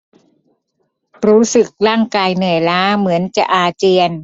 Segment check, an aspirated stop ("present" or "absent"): absent